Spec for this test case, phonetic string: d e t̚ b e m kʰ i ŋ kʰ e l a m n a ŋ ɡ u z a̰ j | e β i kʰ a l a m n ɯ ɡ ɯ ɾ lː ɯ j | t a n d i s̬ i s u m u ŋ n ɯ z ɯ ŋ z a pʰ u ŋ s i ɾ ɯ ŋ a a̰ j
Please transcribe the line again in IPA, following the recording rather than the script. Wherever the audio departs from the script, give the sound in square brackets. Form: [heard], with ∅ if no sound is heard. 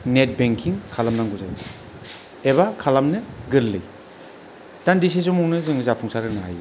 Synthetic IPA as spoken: [n] e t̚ b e [ŋ] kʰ i ŋ kʰ [a] l a m n a ŋ ɡ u z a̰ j | e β [a] kʰ a l a m n ɯ ɡ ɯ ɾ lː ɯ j | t a n d i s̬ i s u m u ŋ n ɯ z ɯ ŋ z a pʰ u ŋ s [a] ɾ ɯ [n] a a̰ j

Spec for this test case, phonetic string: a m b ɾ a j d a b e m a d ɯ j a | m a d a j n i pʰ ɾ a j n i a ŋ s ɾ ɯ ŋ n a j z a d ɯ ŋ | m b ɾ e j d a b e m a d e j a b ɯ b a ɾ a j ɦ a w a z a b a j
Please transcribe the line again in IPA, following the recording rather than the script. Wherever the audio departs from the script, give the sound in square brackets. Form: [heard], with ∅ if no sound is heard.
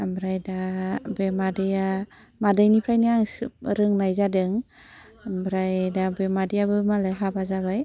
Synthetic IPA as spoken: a m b ɾ a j d a b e m a d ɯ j a | m a d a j n i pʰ ɾ a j n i a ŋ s ɾ ɯ ŋ n a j z a d ɯ ŋ | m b ɾ [a] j d a b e m a d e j a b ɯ [m] a [l] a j ɦ a [b] a z a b a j

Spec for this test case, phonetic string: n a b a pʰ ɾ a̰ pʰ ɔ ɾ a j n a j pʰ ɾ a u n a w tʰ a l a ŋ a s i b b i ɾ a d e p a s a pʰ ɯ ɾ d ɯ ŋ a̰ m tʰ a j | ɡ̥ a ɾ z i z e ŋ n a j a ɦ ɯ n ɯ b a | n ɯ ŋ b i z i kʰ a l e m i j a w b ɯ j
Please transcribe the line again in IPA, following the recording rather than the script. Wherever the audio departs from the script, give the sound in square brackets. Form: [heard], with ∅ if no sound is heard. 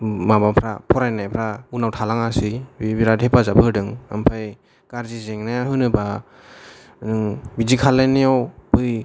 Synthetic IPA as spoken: [m] a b a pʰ ɾ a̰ pʰ ɔ ɾ a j n a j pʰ ɾ a u n a w tʰ a l a ŋ a s i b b i ɾ a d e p a [z] a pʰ ɯ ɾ d ɯ ŋ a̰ m [pʰ] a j | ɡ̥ a ɾ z i z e ŋ n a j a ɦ ɯ n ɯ b a | n ɯ ŋ b i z i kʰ a l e [n] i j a w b ɯ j

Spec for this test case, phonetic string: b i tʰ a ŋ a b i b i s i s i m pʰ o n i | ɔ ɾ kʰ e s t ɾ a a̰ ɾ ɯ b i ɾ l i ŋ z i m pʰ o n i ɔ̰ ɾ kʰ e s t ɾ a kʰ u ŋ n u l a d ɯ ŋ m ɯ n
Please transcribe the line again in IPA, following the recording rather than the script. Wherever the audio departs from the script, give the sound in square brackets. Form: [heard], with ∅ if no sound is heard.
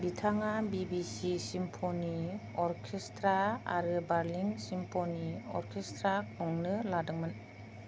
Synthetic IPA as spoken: b i tʰ a ŋ a b i b i s i s i m pʰ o n i | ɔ ɾ kʰ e s t ɾ a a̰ ɾ ɯ b [a] ɾ l i ŋ [s] i m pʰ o n i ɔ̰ ɾ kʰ e s t ɾ a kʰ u ŋ n [ɯ] l a d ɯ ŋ m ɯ n

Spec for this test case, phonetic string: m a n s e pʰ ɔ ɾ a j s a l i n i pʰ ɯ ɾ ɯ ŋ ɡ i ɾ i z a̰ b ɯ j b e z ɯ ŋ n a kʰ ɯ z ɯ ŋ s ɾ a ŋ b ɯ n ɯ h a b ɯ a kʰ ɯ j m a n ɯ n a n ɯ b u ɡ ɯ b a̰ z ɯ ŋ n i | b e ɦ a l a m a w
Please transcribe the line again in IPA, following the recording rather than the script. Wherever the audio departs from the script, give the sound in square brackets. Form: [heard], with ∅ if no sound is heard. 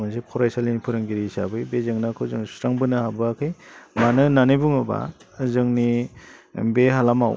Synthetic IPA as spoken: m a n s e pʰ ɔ ɾ a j s a l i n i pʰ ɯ ɾ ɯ ŋ ɡ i ɾ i [s] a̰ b ɯ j b e z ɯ ŋ n a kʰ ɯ z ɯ ŋ s ɾ a ŋ b ɯ n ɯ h a b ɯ a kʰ ɯ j m a n ɯ n a n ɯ b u [ŋ] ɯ b a̰ z ɯ ŋ n i | b e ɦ a l a m a w

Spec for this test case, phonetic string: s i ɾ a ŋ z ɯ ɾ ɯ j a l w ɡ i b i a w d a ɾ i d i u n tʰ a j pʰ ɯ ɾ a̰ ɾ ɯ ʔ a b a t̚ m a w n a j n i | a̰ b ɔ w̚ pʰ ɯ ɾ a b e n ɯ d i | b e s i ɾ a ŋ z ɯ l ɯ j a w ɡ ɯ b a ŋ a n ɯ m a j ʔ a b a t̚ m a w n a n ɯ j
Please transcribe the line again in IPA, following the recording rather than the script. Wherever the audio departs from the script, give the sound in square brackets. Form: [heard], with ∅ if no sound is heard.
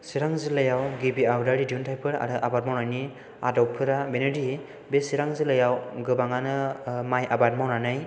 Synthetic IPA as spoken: s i ɾ a ŋ z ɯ [l] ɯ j a [∅] w ɡ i b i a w d a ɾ i d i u n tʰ a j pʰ ɯ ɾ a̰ ɾ ɯ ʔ a b a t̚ m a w n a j n i | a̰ [d] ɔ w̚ pʰ ɯ ɾ a b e n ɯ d i | b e s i ɾ a ŋ z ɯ l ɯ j a w ɡ ɯ b a ŋ a n ɯ m a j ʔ a b a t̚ m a w n a n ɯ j

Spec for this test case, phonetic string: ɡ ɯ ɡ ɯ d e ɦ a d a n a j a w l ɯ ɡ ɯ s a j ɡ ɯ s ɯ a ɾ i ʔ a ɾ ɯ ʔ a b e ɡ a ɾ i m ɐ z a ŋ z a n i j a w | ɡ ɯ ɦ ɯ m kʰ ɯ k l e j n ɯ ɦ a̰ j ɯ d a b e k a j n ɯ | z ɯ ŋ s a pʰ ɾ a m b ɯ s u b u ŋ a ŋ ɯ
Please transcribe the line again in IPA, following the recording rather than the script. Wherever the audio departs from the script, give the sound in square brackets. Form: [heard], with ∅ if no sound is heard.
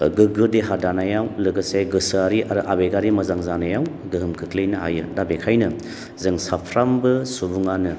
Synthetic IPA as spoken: ɡ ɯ ɡ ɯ d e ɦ a d a n a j a w l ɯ ɡ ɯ s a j ɡ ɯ s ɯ a ɾ i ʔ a ɾ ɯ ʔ a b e ɡ a ɾ i m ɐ z a ŋ z a n [a] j a w | ɡ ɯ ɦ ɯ m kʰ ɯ k l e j n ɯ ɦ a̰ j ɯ d a b e [kʰ] a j n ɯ | z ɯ ŋ s a pʰ ɾ a m b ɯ s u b u ŋ a [n] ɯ

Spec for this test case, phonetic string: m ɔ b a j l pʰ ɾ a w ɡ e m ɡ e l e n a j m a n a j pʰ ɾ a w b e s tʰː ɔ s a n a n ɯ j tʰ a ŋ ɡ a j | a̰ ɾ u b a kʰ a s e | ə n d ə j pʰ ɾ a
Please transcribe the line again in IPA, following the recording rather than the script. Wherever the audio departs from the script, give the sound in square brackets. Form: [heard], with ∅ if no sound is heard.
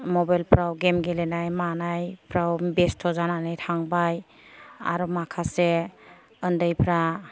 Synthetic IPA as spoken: m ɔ b a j l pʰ ɾ a w ɡ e m ɡ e l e n a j m a n a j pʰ ɾ a w b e s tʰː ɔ [z] a n a n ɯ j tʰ a ŋ [b] a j | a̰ ɾ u [m] a kʰ a s e | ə n d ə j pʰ ɾ a

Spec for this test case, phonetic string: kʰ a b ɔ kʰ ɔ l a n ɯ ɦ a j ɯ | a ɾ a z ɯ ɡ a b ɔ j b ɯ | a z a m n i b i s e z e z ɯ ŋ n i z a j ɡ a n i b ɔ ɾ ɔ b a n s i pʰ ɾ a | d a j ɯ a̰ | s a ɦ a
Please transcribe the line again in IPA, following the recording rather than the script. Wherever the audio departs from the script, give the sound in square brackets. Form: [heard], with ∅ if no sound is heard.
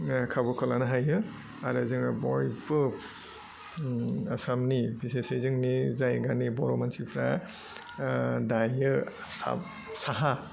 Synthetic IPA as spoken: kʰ a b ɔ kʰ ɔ l a n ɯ ɦ a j ɯ | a ɾ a z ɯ [ŋ] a b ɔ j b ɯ | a [s] a m n i b i s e [s] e z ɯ ŋ n i z a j ɡ a n i b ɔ ɾ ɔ [m] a n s i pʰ ɾ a | d a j ɯ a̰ | s a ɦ a

